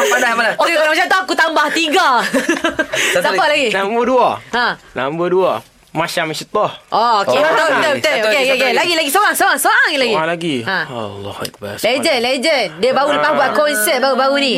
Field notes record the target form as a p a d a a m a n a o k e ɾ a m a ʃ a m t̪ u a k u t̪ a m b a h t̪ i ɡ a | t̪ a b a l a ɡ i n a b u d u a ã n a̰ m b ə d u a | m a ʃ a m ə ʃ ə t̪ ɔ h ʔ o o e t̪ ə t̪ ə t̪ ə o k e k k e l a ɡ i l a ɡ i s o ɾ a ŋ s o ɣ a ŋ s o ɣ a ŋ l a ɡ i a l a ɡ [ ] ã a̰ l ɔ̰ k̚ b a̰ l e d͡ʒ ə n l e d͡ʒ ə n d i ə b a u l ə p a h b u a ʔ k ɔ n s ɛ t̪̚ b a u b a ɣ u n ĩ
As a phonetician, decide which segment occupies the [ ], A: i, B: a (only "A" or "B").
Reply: A